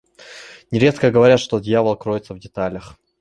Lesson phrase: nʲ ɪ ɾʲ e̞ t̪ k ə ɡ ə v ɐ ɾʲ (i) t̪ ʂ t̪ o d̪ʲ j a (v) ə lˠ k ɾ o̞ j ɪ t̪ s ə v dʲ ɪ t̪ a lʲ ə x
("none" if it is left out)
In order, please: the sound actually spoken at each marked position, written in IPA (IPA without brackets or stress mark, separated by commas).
a, v